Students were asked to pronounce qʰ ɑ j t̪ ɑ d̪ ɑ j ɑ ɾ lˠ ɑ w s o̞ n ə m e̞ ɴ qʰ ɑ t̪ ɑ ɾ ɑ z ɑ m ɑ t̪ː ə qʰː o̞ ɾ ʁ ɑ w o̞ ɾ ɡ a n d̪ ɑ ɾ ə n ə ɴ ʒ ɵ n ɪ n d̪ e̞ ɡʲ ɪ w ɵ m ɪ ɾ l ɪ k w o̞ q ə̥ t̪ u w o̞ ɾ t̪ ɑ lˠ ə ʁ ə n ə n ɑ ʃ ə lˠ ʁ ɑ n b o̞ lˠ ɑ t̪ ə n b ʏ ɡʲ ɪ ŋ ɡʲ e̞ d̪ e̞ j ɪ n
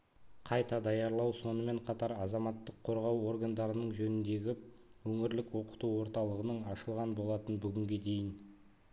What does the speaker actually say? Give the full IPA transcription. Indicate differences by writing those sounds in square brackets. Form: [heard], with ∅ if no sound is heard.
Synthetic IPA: qʰ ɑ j t̪ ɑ d̪ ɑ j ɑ ɾ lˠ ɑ w s o̞ n ə m e̞ ɴ qʰ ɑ t̪ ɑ ɾ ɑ z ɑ m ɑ t̪ː ə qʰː o̞ ɾ ʁ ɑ w o̞ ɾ ɡ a n d̪ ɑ ɾ ə n ə ɴ ʒ ɵ n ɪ n d̪ e̞ ɡʲ ɪ w ɵ [ŋ] ɪ ɾ l ɪ k w o̞ q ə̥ t̪ u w o̞ ɾ t̪ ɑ lˠ ə ʁ ə n ə [ɴ] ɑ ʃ ə lˠ ʁ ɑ n b o̞ lˠ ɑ t̪ ə n b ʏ ɡʲ ɪ ŋ ɡʲ e̞ d̪ e̞ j ɪ n

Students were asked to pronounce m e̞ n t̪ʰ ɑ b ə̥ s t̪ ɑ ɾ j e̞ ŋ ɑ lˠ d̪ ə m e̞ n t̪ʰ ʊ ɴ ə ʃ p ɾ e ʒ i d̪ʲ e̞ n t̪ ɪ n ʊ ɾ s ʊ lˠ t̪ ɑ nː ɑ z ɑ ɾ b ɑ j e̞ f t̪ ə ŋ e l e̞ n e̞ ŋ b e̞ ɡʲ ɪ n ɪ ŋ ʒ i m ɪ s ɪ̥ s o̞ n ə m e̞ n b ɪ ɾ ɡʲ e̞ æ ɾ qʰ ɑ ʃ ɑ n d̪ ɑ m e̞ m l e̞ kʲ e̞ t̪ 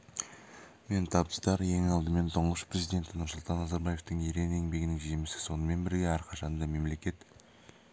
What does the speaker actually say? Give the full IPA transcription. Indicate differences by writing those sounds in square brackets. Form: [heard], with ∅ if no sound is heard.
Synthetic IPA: m e̞ n t̪ʰ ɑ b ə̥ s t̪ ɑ ɾ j e̞ ŋ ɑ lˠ d̪ ə m e̞ n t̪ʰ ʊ ɴ ə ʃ p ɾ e [z] i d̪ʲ e̞ n t̪ ɪ n ʊ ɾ s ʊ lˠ t̪ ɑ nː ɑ z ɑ ɾ b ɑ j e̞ f t̪ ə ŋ e [ɾ] e̞ n e̞ ŋ b e̞ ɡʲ ɪ n ɪ ŋ ʒ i m ɪ s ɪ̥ s o̞ n ə m e̞ n b ɪ ɾ ɡʲ e̞ æ ɾ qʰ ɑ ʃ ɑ n d̪ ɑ m e̞ m l e̞ kʲ e̞ t̪

